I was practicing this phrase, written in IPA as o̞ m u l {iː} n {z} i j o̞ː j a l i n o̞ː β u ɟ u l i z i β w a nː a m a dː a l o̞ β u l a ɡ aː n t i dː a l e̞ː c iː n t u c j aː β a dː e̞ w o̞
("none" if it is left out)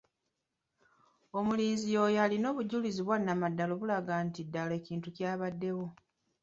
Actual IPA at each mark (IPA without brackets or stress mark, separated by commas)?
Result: iː, z